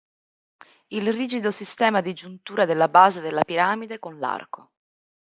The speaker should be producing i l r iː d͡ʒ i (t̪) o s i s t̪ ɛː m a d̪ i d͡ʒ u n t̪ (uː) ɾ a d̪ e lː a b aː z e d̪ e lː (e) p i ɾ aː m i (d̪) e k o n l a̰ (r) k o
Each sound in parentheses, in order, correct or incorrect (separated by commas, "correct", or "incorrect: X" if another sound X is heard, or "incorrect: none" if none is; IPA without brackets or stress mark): incorrect: d̪, correct, incorrect: a, correct, correct